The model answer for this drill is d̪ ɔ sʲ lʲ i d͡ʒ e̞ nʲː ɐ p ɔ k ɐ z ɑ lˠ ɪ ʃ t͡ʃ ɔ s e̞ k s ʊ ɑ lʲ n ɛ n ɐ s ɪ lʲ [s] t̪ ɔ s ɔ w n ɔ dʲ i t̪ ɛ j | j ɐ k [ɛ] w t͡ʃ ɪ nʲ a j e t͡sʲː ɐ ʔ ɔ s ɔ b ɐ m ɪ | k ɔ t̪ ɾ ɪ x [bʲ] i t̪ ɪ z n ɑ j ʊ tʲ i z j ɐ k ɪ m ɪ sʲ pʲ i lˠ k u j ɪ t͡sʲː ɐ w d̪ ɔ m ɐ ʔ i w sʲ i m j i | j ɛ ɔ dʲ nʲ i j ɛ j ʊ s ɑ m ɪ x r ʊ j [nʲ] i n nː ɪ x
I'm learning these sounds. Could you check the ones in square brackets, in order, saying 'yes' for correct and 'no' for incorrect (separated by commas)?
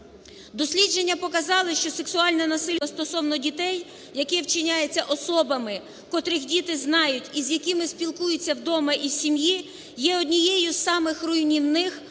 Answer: yes, yes, no, yes